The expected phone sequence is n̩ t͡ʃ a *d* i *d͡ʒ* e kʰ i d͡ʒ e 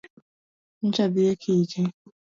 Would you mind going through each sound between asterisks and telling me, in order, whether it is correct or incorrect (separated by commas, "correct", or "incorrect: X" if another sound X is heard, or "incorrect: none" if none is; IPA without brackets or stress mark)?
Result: incorrect: b, incorrect: none